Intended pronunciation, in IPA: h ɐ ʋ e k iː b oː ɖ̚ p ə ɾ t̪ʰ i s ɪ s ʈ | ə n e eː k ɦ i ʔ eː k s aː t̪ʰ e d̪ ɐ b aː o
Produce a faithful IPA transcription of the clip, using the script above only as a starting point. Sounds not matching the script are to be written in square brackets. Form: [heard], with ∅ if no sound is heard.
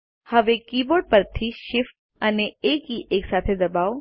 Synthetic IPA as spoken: h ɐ ʋ e k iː b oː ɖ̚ p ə ɾ t̪ʰ i [ʃ] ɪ [f] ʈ | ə n e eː k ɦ i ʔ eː k s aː t̪ʰ e d̪ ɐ b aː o